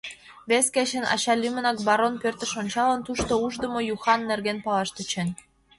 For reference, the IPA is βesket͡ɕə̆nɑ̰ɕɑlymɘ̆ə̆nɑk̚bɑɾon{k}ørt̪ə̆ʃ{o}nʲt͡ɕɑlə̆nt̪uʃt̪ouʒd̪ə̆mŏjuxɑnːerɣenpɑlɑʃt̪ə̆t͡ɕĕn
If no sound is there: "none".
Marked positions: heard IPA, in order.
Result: p, o

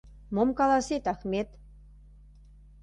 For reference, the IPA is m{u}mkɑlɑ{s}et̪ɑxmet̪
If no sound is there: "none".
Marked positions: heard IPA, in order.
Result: o, s

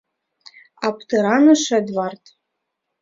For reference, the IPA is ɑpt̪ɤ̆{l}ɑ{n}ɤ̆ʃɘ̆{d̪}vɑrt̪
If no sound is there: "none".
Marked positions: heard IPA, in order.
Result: ɾ, n, d̪

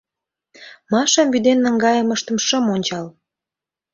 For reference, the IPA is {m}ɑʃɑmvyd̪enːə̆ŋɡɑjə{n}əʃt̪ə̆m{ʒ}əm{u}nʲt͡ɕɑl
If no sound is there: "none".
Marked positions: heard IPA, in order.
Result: m, m, ʃ, o

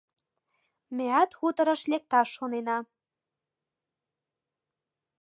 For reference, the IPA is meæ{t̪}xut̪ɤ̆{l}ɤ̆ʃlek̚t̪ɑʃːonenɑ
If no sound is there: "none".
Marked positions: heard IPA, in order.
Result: t̪, ɾ

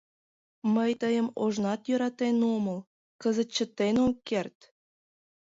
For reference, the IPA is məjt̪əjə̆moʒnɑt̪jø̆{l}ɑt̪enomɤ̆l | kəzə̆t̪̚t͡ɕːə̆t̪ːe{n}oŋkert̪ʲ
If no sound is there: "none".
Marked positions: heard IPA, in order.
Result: ɾ, n

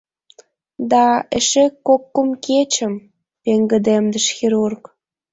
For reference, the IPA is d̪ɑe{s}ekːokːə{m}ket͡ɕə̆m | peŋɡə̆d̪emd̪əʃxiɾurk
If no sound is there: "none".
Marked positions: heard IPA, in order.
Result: ʃ, m

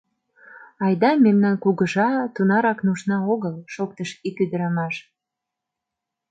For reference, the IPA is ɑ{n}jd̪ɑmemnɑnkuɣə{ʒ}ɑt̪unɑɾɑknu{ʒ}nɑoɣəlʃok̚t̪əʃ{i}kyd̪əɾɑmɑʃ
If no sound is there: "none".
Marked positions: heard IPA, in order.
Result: none, ʒ, ʃ, i

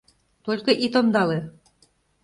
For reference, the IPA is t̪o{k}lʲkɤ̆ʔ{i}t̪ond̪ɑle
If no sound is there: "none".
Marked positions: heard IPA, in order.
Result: none, i

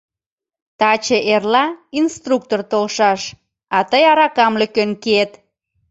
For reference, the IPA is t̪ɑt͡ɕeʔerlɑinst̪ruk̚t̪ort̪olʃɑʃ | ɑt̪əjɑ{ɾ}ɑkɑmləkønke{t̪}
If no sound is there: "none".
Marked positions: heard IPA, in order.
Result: ɾ, t̪

